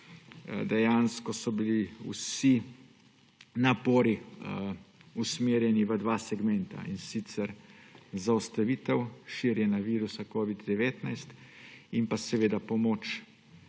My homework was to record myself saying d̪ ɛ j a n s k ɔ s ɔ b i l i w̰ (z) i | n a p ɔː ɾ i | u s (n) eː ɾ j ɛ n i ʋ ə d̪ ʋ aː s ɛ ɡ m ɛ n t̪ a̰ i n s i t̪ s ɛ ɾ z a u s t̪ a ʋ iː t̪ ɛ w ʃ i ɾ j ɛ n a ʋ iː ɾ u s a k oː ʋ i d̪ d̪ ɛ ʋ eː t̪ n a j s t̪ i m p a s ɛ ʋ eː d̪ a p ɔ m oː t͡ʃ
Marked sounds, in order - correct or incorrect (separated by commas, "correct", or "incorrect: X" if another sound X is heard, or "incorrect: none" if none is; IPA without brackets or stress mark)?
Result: incorrect: s, incorrect: m